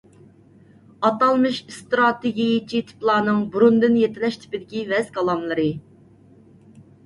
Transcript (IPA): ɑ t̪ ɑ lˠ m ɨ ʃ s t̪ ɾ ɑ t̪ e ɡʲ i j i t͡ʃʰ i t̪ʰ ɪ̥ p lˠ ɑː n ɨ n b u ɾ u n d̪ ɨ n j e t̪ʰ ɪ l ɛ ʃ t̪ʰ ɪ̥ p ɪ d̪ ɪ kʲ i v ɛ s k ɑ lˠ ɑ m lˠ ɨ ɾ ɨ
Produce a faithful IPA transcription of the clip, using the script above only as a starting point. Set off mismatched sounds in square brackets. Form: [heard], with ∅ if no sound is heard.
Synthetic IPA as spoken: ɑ t̪ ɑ lˠ m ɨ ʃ s t̪ ɾ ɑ t̪ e ɡʲ i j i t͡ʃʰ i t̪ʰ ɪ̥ p lˠ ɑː n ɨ [ŋ] b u ɾ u n d̪ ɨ n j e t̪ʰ ɪ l ɛ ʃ t̪ʰ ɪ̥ p ɪ d̪ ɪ kʲ i v ɛ [z] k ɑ lˠ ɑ m lˠ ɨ ɾ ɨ